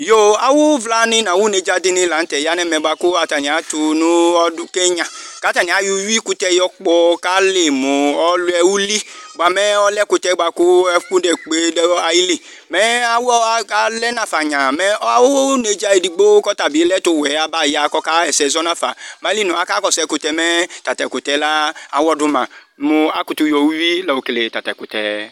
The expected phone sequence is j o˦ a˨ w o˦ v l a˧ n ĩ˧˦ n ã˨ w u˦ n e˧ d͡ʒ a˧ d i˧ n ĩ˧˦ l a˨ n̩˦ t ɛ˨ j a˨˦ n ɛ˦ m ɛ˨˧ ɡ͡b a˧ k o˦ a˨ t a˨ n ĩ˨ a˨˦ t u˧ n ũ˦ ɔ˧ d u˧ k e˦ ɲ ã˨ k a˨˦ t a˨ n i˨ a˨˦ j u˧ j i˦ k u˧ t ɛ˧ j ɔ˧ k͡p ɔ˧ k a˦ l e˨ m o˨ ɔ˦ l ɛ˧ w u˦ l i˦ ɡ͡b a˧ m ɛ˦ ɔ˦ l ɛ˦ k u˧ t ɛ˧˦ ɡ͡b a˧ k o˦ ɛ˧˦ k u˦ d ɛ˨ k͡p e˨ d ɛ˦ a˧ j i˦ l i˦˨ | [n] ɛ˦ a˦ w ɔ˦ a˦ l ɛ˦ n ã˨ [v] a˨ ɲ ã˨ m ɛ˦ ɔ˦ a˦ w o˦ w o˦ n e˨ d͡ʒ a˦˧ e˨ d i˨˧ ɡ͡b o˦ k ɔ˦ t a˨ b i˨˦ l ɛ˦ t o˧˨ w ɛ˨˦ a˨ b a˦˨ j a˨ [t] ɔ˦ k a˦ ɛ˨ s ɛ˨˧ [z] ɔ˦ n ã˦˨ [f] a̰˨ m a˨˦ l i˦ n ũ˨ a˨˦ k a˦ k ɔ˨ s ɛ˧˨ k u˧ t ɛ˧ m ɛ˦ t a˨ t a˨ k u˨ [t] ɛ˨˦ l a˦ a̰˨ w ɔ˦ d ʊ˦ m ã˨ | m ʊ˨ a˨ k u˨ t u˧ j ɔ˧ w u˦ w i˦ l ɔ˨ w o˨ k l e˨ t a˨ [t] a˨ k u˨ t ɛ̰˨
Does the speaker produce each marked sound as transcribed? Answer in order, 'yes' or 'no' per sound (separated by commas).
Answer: no, no, no, yes, yes, yes, yes